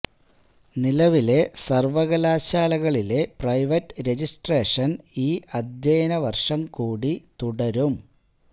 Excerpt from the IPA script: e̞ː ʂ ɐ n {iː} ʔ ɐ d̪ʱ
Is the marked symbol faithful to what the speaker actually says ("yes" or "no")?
yes